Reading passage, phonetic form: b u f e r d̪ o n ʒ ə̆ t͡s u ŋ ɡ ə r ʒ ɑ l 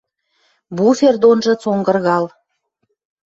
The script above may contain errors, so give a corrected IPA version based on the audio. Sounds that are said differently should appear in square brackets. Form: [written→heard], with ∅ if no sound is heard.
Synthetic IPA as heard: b u f e r d̪ o n ʒ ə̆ t͡s [u→o] ŋ ɡ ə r [ʒ→ɣ] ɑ l